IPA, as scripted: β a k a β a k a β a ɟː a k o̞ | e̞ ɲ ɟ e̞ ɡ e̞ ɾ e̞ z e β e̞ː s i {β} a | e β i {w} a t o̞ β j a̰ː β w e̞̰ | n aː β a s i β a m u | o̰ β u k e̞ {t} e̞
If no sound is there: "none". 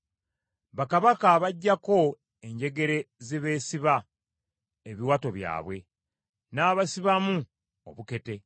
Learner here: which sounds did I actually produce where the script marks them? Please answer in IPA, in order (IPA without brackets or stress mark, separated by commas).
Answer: β, w, t